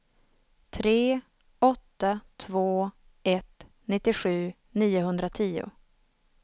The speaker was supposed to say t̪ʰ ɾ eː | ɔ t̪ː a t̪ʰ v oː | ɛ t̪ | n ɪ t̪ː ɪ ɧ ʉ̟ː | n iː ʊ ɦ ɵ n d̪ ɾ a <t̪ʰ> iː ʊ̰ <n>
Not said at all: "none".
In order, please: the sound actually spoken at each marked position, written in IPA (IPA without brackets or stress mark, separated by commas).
t̪ʰ, none